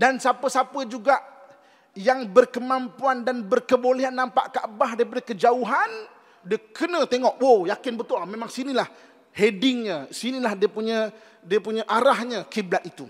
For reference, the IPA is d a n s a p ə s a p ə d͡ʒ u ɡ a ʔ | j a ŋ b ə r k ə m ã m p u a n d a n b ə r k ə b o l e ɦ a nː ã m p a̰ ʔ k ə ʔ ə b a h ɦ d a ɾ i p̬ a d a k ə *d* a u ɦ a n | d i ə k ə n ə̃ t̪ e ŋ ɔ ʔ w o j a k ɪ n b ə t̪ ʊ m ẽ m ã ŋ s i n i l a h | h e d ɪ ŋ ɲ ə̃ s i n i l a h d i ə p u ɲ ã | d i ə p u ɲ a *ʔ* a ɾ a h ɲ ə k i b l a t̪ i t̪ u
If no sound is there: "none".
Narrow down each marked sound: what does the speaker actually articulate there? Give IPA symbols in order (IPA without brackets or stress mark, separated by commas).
d͡ʒ, ʔ